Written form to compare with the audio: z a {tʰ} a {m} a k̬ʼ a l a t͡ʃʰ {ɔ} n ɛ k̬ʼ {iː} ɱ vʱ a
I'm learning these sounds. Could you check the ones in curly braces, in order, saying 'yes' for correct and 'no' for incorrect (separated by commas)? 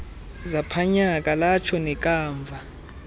no, no, yes, no